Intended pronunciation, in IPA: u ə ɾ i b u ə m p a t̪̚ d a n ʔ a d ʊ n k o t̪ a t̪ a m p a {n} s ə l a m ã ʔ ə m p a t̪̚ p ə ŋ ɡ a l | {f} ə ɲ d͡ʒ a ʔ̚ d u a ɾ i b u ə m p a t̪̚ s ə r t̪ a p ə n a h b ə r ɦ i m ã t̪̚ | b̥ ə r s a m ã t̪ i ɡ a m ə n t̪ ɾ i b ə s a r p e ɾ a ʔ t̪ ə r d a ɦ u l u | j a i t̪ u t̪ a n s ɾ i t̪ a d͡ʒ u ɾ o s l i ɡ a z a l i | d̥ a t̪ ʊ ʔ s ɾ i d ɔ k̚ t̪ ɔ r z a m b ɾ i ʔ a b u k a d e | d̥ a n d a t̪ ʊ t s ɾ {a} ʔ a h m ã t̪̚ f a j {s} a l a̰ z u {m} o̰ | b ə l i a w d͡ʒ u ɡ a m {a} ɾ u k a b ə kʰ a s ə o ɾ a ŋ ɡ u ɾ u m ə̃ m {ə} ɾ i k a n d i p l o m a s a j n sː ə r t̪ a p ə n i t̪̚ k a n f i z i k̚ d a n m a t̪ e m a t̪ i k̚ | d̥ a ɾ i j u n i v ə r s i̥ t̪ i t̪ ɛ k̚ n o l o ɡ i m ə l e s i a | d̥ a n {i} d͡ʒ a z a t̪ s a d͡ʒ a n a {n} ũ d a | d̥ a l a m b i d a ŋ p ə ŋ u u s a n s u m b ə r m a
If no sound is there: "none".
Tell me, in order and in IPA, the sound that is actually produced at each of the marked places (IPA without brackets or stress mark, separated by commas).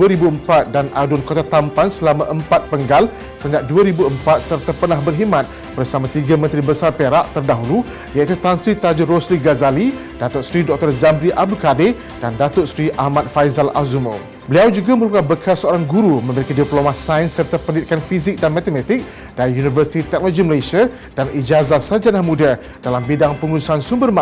n, s, i, z, m, ə, ə, i, m